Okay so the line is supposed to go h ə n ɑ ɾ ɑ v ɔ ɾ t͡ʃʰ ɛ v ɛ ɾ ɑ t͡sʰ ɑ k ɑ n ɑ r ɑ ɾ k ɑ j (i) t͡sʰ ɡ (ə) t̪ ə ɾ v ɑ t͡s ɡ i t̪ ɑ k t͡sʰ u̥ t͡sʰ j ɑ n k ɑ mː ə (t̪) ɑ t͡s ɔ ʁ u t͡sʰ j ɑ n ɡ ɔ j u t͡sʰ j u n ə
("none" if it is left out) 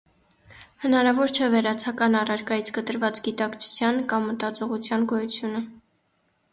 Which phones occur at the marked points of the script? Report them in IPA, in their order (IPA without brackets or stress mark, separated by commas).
i, ə, t̪